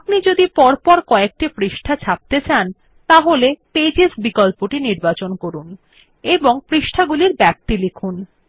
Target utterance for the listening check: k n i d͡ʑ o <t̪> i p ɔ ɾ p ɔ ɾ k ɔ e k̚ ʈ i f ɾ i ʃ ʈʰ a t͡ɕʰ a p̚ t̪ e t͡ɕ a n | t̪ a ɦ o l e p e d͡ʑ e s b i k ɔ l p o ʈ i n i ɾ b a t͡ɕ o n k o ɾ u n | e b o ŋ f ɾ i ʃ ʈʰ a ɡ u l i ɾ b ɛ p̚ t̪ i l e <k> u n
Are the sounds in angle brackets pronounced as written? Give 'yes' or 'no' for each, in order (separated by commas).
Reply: no, no